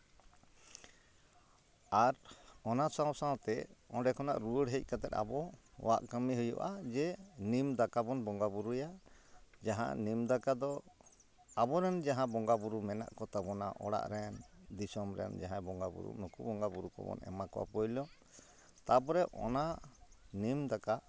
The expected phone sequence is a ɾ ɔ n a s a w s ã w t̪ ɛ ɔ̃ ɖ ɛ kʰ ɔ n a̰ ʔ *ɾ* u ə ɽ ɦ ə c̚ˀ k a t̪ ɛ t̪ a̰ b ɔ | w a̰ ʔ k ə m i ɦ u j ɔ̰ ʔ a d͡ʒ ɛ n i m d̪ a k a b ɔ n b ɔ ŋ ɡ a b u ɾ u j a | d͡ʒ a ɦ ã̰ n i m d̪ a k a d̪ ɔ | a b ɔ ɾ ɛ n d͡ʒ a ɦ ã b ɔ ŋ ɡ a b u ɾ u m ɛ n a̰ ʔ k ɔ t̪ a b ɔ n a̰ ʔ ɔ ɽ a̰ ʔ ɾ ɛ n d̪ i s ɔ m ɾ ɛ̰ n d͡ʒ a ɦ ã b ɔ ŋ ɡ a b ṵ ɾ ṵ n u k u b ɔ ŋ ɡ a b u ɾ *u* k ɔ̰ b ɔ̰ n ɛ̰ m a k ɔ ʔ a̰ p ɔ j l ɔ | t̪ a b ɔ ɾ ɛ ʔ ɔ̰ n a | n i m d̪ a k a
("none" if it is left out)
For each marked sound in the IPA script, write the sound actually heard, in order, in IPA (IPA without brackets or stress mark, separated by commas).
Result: ɾ, u